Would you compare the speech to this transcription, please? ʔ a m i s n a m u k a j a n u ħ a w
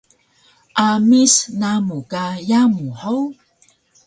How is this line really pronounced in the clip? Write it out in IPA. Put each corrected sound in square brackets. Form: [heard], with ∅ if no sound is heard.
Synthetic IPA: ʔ a m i s n a m u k a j a [m] u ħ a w